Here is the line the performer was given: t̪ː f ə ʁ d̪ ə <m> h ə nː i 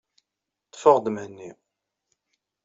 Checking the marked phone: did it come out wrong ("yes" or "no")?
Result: no